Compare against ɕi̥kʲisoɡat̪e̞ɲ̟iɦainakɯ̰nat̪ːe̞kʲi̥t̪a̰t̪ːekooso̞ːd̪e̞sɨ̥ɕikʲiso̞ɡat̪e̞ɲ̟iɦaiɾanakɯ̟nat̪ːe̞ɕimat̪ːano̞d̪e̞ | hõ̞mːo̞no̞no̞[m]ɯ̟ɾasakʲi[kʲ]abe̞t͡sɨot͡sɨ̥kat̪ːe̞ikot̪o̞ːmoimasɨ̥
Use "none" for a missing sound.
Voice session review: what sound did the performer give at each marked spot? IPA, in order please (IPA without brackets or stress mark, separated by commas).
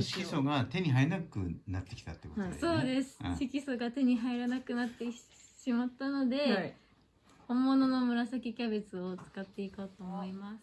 m, kʲ